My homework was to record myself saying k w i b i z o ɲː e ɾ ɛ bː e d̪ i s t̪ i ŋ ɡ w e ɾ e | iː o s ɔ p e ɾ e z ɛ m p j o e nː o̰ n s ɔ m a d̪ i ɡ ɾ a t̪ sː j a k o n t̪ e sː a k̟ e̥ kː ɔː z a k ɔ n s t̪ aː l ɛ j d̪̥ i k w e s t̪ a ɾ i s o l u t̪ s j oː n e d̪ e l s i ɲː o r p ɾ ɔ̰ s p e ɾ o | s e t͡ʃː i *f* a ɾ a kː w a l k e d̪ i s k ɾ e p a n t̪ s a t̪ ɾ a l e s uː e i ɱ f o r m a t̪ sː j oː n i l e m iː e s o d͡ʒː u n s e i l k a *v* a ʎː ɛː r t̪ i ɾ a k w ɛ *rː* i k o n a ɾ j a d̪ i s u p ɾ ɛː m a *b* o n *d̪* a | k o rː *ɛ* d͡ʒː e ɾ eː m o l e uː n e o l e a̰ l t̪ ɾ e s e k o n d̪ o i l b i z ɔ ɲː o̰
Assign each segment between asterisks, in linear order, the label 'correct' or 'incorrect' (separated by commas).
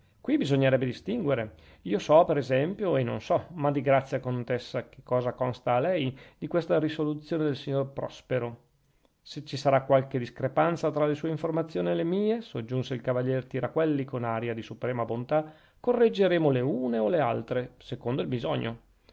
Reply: incorrect, correct, incorrect, correct, incorrect, incorrect